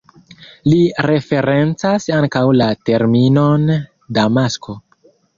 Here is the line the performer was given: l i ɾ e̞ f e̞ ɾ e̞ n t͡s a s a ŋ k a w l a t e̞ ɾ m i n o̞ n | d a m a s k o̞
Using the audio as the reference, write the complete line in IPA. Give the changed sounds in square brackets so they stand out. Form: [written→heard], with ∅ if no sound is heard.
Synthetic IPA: l i ɾ e̞ f e̞ ɾ e̞ n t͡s a s a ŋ k a w l a t e̞ ɾ m i n o̞ n | d a m a s k o̞